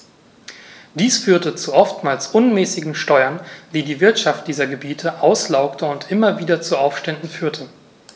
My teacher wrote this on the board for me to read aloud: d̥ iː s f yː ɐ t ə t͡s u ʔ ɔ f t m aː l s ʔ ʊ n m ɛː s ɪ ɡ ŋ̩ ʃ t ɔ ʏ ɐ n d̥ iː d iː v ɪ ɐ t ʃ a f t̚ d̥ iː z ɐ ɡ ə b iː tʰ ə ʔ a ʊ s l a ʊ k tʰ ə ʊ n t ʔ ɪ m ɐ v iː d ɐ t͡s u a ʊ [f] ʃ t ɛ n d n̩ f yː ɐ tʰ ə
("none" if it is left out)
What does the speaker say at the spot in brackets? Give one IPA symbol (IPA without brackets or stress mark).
f